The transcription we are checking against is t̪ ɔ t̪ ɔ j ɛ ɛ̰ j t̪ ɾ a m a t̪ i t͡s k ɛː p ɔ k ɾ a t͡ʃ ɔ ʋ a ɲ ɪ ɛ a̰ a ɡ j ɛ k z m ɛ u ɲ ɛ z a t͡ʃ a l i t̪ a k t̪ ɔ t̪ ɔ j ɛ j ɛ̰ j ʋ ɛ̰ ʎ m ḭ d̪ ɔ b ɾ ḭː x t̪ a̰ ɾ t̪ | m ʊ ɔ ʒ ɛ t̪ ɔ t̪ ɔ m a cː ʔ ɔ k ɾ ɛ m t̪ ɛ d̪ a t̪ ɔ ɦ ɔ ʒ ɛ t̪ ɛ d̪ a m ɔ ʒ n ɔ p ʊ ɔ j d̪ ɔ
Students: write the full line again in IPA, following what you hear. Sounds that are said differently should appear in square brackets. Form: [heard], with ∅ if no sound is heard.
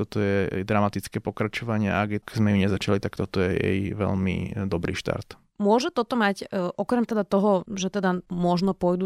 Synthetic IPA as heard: t̪ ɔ t̪ ɔ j ɛ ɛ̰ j [d̪] ɾ a m a t̪ i t͡s k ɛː p ɔ k ɾ a t͡ʃ ɔ ʋ a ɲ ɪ ɛ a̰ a ɡ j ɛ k z m ɛ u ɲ ɛ z a t͡ʃ a l i t̪ a k t̪ ɔ t̪ ɔ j ɛ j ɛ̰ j ʋ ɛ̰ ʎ m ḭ d̪ ɔ b ɾ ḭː [ʃ] t̪ a̰ ɾ t̪ | m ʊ ɔ ʒ ɛ t̪ ɔ t̪ ɔ m a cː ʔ ɔ k ɾ ɛ m t̪ ɛ d̪ a t̪ ɔ ɦ ɔ ʒ ɛ t̪ ɛ d̪ a m ɔ ʒ n ɔ p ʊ ɔ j d̪ [u]